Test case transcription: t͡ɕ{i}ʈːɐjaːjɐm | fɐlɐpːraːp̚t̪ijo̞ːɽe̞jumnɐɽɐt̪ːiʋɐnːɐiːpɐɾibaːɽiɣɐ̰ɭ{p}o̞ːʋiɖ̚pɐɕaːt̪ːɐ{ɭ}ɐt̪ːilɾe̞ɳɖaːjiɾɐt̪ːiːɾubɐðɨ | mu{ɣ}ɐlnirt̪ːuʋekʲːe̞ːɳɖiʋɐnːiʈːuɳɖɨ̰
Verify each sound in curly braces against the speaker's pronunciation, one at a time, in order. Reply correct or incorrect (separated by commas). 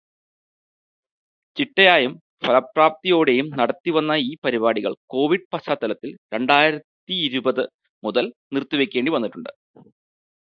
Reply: correct, incorrect, incorrect, incorrect